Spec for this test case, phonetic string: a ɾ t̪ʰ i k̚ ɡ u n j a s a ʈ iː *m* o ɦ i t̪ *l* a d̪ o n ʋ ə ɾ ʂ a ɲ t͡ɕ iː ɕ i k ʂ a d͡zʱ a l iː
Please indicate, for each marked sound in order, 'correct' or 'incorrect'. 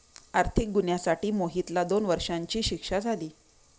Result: correct, correct

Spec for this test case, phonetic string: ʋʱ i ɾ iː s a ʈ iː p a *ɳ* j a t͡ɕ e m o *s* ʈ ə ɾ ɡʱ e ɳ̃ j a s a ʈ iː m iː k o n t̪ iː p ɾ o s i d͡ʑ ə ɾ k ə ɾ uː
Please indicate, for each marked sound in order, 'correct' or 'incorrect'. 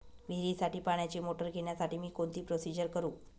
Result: correct, incorrect

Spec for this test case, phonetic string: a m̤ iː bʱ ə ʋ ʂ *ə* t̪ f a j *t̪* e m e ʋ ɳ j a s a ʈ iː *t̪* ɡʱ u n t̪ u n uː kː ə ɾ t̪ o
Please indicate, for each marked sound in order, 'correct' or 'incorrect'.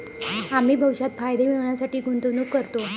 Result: incorrect, incorrect, incorrect

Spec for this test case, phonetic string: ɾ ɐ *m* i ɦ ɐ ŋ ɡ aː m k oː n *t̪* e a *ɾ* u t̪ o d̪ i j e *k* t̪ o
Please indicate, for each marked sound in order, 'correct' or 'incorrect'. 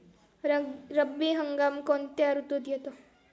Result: incorrect, correct, correct, incorrect

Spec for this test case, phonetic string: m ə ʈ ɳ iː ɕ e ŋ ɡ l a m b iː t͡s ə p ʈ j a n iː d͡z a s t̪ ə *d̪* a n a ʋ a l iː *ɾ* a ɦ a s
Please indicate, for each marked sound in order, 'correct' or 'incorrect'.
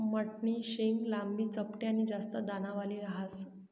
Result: correct, correct

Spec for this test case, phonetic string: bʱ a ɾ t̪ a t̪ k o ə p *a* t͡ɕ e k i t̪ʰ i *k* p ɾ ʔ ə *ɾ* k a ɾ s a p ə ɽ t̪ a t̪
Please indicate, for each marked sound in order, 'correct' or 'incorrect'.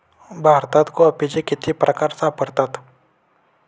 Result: incorrect, incorrect, incorrect

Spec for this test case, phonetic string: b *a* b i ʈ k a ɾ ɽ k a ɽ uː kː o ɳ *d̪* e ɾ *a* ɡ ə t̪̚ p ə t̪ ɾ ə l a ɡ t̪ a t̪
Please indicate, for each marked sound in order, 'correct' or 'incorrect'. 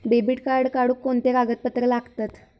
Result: incorrect, incorrect, correct

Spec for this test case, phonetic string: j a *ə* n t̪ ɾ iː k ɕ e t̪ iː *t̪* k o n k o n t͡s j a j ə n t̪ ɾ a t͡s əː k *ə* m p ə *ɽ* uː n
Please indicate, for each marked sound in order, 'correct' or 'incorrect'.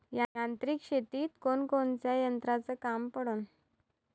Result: incorrect, correct, incorrect, correct

